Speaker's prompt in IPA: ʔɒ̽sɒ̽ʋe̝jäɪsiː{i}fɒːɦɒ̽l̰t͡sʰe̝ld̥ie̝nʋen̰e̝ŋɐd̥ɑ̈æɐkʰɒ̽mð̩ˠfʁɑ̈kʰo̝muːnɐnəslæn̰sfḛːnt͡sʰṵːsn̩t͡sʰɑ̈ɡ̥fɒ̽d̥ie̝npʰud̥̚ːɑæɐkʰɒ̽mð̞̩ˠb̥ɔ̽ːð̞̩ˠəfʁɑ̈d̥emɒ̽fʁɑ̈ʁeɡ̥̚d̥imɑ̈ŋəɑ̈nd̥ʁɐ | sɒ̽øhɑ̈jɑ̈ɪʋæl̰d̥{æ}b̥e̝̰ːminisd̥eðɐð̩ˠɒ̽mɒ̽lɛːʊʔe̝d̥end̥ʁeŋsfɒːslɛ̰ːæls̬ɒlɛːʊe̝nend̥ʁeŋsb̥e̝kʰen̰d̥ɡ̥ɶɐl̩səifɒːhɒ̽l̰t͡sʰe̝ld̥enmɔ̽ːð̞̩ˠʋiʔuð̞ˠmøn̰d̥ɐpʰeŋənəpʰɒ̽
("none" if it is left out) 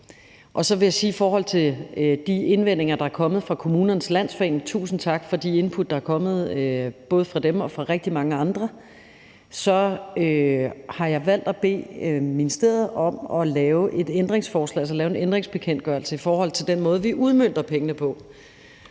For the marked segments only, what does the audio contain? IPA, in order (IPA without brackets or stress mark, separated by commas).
i, æ